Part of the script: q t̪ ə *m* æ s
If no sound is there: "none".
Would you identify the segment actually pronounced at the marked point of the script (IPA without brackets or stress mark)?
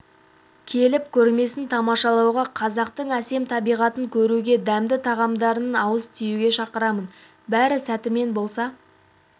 ɴ